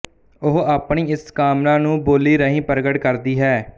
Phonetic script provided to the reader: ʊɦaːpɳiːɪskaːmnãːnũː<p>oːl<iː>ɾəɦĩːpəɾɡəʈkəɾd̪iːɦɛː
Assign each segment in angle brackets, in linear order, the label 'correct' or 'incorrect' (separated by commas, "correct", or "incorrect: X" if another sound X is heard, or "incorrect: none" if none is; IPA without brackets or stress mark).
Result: incorrect: b, correct